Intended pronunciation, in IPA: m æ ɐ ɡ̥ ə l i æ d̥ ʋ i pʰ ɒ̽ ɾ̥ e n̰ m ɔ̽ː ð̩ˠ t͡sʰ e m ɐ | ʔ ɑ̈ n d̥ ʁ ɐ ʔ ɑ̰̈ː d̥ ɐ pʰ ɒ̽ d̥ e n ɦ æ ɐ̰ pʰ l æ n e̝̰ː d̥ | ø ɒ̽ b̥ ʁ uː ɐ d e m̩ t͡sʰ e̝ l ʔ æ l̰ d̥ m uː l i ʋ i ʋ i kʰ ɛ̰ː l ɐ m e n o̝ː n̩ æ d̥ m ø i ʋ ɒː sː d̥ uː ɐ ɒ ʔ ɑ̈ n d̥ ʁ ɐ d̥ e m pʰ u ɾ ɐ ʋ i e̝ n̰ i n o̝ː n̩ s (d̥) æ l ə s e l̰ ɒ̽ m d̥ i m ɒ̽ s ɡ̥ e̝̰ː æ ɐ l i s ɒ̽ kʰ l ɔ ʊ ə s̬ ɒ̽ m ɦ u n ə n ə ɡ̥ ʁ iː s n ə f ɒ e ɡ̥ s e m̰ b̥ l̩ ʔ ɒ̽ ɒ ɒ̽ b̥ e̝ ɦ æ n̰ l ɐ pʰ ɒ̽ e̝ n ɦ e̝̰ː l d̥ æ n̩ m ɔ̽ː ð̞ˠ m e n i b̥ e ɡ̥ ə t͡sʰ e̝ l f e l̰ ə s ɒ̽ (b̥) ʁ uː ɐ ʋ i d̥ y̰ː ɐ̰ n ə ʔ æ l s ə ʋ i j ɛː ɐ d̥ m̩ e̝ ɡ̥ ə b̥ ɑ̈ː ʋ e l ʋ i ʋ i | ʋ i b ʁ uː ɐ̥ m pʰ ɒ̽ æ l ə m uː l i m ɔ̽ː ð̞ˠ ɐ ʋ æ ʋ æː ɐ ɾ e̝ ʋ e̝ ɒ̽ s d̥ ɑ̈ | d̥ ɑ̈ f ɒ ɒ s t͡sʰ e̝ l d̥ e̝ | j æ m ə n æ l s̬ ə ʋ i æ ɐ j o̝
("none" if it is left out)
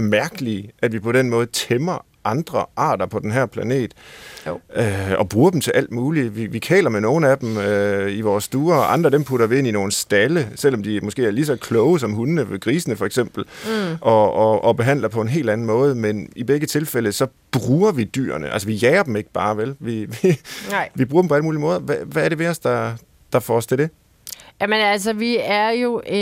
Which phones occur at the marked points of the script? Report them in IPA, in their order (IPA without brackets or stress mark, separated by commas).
d̥, b̥